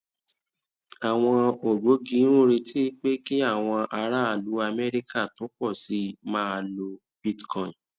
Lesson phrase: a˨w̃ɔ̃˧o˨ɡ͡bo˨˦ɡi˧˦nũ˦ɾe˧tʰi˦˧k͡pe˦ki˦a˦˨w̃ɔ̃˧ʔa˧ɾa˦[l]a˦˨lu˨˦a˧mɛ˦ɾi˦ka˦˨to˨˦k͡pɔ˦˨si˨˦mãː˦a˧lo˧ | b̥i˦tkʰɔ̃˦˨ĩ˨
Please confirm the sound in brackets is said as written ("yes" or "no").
no